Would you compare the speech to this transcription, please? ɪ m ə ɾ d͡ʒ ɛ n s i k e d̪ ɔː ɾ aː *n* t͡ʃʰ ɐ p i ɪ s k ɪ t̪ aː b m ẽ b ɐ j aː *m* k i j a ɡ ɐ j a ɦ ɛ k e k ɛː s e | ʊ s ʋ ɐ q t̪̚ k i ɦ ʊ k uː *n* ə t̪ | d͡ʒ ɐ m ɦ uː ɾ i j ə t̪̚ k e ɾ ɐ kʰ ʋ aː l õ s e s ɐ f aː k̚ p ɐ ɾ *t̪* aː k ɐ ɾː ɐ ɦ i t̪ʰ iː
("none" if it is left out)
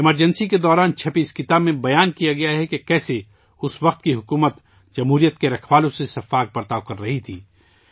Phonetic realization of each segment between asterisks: n, n, m, t̪

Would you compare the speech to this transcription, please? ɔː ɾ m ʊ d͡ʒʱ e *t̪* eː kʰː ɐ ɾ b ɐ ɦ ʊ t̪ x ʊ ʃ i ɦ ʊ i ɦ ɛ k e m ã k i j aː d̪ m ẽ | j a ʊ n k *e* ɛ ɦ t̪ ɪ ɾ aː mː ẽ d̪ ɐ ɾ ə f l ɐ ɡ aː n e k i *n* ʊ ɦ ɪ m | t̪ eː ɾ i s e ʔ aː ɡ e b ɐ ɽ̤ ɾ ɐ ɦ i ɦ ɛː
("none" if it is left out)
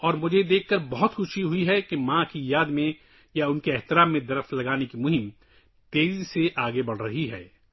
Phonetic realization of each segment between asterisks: d̪, e, m

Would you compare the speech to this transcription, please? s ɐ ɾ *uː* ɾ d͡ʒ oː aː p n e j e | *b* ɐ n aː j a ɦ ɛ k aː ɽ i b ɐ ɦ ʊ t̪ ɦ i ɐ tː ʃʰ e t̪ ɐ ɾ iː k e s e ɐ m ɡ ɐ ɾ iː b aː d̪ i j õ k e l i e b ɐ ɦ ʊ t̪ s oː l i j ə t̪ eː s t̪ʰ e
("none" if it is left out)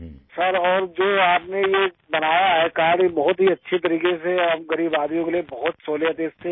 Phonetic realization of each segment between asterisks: ɔː, b

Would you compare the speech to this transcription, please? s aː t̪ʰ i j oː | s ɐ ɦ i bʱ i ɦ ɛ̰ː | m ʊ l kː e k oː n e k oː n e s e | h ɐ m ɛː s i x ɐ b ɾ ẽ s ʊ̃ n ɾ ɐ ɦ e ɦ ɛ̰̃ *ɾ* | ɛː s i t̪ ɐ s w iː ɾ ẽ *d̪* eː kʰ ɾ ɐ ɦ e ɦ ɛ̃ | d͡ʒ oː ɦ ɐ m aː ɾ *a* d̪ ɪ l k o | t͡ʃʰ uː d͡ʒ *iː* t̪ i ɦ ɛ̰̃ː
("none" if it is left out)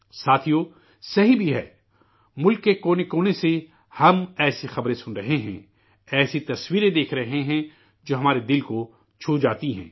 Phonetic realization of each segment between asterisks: none, d̪, e, aː

